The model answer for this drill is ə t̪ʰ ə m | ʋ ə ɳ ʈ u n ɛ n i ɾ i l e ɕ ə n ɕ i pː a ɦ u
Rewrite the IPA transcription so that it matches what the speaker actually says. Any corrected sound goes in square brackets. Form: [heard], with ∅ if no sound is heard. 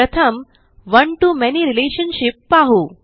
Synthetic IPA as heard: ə t̪ʰ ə m | ʋ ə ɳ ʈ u [m] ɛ n i ɾ i l e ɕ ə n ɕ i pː a ɦ u